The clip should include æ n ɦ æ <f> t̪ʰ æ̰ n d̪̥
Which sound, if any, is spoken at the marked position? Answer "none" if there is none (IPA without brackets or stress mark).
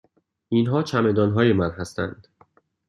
s